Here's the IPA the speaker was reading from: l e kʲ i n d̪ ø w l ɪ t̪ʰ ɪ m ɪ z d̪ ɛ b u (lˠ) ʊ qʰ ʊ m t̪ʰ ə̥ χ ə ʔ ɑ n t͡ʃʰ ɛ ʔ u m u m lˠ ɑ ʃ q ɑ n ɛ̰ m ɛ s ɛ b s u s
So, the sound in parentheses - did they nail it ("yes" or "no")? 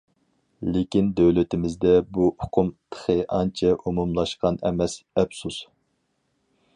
no